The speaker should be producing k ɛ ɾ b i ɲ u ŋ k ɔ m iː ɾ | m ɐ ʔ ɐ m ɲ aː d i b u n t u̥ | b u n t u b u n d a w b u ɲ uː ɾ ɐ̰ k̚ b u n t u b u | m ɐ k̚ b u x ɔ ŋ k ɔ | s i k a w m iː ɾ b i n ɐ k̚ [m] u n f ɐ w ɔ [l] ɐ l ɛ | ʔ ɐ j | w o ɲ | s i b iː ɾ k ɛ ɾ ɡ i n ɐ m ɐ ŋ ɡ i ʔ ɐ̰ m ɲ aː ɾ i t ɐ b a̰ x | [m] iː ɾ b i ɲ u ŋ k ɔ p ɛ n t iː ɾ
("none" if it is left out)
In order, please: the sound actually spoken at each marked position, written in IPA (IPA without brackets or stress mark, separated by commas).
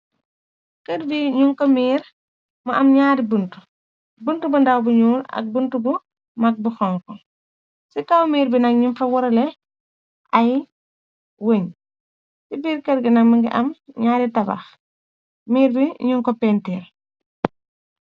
ɲ, ɾ, m